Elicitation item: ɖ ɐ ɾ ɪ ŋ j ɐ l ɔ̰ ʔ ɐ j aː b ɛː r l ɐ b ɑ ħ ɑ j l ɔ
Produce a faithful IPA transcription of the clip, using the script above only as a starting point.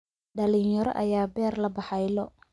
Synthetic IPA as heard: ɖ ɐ l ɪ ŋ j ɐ ɾ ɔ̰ ʔ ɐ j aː b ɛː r l ɐ b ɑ ħ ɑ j l ɔ